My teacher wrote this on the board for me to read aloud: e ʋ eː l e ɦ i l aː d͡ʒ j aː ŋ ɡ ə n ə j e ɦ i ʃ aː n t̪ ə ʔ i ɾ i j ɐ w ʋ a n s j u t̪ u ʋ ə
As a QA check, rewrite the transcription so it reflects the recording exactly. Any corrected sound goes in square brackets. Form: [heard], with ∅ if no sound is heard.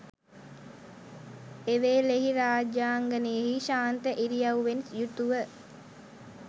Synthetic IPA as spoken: e ʋ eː l e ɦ i [ɾ] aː d͡ʒ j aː ŋ ɡ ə n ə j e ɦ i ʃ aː n t̪ ə ʔ i ɾ i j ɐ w ʋ [e] n s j u t̪ u ʋ ə